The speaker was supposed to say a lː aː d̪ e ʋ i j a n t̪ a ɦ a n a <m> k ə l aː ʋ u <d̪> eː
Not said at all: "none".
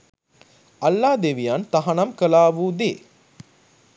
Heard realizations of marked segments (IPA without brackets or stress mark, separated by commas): m, d̪